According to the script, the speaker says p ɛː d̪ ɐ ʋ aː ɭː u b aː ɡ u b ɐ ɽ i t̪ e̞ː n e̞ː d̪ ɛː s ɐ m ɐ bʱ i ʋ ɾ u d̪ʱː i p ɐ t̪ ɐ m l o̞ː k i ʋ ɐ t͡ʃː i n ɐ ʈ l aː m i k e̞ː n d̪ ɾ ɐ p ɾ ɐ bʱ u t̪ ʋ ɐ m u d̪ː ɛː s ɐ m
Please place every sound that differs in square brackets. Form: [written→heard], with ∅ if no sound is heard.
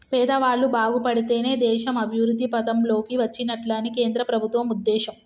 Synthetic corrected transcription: p ɛː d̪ ɐ ʋ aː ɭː u b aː ɡ u [b→p] ɐ ɽ i t̪ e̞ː n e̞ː d̪ ɛː [s→ʃ] ɐ m ɐ bʱ i ʋ ɾ u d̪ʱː i p ɐ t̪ ɐ m l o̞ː k i ʋ ɐ t͡ʃː i n ɐ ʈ l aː [m→n] i k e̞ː n d̪ ɾ ɐ p ɾ ɐ bʱ u t̪ ʋ ɐ m u d̪ː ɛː [s→ʃ] ɐ m